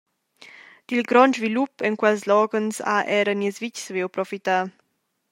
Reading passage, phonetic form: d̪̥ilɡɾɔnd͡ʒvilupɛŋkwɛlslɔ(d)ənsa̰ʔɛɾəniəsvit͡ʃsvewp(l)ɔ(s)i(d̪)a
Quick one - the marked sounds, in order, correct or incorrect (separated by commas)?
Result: incorrect, incorrect, incorrect, incorrect